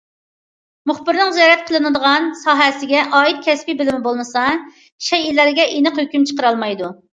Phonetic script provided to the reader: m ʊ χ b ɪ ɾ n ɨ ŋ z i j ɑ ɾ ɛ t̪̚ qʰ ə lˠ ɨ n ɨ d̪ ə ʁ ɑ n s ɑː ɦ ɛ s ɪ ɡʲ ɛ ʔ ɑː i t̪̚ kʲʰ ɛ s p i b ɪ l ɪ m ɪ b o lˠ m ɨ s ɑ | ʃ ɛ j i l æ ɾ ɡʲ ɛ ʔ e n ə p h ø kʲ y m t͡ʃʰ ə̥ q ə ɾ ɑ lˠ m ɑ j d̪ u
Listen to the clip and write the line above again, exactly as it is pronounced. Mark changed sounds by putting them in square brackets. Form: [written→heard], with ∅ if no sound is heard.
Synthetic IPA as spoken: m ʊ χ b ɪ ɾ n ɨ ŋ z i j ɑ ɾ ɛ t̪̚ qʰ ə lˠ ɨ n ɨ d̪ ə ʁ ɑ n s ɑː ɦ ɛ s ɪ ɡʲ ɛ ʔ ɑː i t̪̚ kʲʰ ɛ s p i b ɪ l ɪ m ɪ b o lˠ m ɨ s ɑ | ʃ ɛ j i l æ ɾ ɡʲ ɛ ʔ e n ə [p→q] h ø kʲ y m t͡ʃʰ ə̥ q ə ɾ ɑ lˠ m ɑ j d̪ u